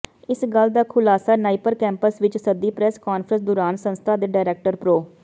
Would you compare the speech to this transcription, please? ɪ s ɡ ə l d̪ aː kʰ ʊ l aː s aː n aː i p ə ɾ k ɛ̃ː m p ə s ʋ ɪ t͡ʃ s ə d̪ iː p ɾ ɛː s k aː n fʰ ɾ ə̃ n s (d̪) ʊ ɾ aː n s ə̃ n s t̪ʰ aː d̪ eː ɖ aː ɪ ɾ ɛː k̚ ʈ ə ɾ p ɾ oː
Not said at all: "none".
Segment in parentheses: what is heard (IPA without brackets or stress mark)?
d̪